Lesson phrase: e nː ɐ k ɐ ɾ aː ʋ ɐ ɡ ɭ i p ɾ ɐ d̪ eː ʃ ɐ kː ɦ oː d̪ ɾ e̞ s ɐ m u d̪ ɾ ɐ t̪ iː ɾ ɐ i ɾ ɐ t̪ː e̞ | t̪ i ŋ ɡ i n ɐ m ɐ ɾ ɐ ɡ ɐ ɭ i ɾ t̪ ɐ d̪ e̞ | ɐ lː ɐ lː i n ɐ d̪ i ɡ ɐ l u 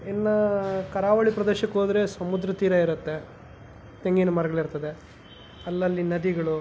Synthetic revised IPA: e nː ɐ k ɐ ɾ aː ʋ ɐ ɭ i p ɾ ɐ d̪ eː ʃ ɐ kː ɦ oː d̪ ɾ e̞ s ɐ m u d̪ ɾ ɐ t̪ iː ɾ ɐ i ɾ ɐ t̪ː e̞ | t̪ e ŋ ɡ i n ɐ m ɐ ɾ ɐ ɡ ɐ ɭ i ɾ t̪ ɐ d̪ e̞ | ɐ lː ɐ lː i n ɐ d̪ i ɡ ɐ ɭ u